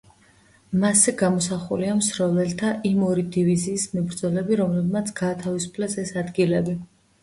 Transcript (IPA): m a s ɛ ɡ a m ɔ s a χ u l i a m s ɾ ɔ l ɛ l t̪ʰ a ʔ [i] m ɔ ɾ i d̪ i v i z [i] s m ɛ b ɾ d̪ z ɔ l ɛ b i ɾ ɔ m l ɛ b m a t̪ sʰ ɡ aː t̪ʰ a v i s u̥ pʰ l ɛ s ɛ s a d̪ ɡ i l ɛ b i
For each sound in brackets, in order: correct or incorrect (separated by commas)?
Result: correct, incorrect